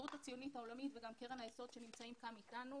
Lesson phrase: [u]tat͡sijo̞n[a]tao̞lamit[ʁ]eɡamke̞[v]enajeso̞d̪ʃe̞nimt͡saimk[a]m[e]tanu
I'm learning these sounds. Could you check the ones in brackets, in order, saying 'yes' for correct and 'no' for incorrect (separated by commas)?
yes, no, no, no, yes, no